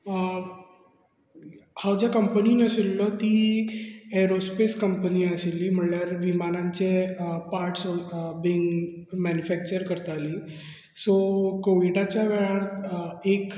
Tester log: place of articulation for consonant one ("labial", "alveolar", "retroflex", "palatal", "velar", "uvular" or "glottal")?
glottal